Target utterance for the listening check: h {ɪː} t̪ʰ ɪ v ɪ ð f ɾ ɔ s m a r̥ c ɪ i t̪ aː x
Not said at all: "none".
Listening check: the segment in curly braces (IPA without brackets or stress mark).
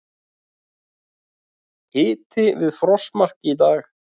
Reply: ɪː